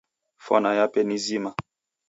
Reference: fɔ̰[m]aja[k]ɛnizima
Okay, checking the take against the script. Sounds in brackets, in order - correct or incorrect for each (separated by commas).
incorrect, incorrect